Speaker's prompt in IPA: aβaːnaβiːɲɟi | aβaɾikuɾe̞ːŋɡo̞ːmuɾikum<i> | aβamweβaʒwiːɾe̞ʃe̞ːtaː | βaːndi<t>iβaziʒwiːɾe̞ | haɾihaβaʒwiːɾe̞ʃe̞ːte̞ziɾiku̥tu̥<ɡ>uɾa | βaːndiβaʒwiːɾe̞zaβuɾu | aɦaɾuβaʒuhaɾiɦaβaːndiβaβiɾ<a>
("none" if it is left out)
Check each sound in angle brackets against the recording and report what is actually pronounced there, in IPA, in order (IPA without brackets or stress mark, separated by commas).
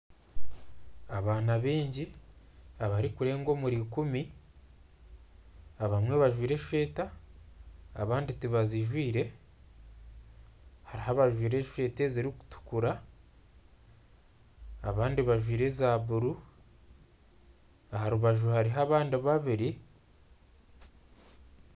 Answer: i, t, k, i